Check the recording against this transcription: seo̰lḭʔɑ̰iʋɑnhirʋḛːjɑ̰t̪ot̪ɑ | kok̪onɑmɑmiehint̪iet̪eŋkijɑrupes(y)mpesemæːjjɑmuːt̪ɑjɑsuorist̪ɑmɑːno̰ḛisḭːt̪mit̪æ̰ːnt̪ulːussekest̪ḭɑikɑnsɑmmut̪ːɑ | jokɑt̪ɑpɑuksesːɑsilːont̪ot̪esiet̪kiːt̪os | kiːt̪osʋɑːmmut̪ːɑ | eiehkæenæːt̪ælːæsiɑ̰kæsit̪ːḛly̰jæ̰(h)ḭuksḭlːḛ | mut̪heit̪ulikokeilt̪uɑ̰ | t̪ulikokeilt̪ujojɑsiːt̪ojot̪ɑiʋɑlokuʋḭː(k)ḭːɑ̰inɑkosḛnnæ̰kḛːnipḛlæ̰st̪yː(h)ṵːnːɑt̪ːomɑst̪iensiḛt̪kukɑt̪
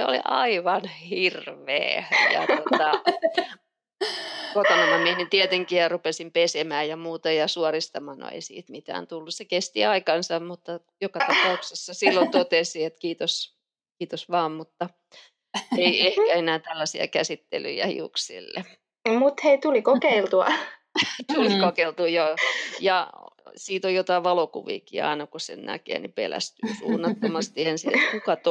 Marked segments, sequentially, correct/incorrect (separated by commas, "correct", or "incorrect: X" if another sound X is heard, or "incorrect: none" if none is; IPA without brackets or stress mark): incorrect: i, correct, correct, incorrect: s